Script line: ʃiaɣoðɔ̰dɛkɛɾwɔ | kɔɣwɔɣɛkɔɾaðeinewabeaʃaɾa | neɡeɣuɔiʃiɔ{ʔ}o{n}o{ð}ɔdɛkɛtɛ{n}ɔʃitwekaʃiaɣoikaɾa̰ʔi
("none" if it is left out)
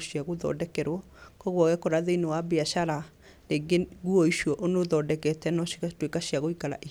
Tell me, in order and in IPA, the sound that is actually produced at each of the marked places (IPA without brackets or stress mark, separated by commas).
ʔ, n, ð, n